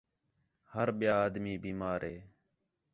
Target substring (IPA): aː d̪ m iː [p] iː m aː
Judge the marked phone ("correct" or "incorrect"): incorrect